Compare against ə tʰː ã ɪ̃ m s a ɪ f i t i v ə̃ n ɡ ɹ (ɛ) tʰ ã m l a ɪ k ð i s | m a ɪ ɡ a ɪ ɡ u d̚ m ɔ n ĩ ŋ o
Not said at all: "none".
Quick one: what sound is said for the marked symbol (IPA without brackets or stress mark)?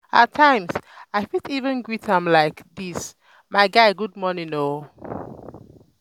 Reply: i